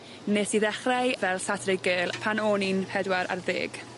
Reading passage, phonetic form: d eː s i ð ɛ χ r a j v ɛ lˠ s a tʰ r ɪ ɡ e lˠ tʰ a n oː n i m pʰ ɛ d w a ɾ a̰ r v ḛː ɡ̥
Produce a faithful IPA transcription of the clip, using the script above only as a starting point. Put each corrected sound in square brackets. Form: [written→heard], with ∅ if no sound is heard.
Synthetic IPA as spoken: [d→n] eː s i ð ɛ χ r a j v ɛ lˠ s a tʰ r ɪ ɡ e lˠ [tʰ→pʰ] a n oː n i [m→n] pʰ ɛ d w a ɾ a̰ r [v→ð] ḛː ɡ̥